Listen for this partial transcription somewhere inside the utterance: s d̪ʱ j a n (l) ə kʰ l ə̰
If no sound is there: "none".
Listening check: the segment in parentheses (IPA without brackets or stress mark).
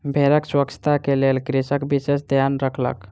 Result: ɾ